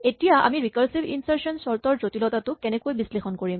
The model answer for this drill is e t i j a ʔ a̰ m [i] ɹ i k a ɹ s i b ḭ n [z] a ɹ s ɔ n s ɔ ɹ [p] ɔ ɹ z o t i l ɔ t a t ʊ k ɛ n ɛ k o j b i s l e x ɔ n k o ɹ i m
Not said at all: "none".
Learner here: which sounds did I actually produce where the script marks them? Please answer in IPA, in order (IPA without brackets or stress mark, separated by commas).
i, s, t